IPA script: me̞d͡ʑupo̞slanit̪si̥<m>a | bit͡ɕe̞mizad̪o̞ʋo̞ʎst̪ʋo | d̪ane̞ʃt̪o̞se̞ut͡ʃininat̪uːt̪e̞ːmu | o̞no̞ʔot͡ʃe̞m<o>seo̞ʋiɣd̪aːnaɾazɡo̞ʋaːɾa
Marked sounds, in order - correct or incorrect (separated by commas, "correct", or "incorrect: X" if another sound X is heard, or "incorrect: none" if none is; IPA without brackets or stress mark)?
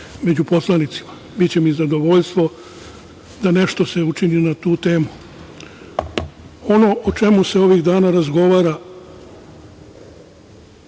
correct, incorrect: u